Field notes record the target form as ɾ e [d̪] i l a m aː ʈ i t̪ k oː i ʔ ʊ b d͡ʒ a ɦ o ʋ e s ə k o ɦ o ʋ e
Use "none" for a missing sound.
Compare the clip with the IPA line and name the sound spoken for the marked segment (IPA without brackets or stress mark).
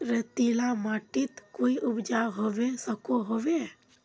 t̪